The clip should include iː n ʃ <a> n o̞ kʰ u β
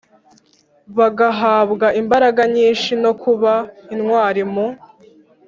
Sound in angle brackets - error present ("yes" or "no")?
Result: yes